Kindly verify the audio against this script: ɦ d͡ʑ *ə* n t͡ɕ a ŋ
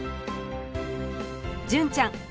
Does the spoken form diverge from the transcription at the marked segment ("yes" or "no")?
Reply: no